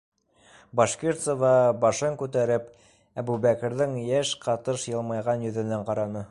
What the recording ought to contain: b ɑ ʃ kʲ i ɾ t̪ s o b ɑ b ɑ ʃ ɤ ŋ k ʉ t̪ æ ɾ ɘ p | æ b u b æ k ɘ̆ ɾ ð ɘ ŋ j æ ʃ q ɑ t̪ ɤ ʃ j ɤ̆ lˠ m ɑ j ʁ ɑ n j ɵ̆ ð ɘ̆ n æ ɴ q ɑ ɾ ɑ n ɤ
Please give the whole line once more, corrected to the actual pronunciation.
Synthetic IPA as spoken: b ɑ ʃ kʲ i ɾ t̪ s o v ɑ b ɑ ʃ ɤ ŋ k ʉ t̪ æ ɾ ɘ p | æ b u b æ k ɘ̆ ɾ ð ɘ ŋ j æ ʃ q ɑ t̪ ɤ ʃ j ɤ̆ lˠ m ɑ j ʁ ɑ n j ɵ̆ ð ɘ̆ n æ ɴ q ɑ ɾ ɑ n ɤ